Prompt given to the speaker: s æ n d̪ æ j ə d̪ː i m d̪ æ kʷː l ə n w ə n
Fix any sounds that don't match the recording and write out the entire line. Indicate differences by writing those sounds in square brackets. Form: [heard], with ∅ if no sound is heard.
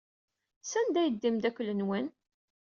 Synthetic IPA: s æ n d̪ æ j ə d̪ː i m d̪ æ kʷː l ə n w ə n

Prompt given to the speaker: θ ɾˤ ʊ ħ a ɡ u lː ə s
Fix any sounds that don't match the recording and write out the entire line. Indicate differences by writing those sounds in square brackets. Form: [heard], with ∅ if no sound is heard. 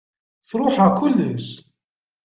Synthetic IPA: θ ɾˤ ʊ ħ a [k] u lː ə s

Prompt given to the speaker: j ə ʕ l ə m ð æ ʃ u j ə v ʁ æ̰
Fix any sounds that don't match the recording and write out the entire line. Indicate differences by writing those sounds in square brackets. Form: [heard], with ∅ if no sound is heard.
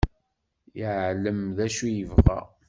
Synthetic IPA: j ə ʕ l ə m ð æ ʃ u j ə v ʁ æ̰

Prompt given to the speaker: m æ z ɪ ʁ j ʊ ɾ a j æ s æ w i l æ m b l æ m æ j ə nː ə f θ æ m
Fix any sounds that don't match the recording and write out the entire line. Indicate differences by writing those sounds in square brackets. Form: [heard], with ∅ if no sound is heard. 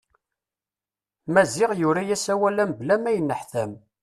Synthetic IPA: m æ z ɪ ʁ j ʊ ɾ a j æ s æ w [æ] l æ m b l æ m æ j ə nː ə [ħ] θ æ m

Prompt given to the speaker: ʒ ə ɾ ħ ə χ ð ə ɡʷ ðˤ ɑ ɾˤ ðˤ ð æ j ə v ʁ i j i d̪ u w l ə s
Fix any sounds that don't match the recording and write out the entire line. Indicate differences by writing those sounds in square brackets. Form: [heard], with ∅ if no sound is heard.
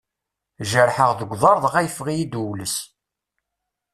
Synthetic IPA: ʒ ə ɾ ħ ə [ʁ] ð ə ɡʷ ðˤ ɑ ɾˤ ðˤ [ʁ] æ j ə [f] ʁ i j i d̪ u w l ə s

